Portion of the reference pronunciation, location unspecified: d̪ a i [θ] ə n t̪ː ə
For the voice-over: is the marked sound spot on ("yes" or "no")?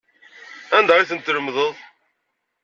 yes